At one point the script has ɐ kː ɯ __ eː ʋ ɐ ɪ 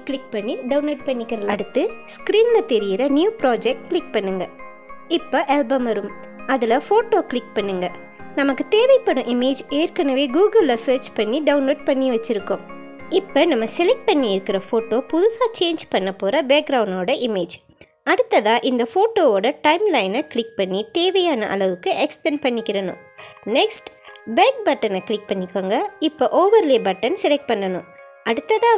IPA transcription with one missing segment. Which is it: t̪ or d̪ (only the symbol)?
t̪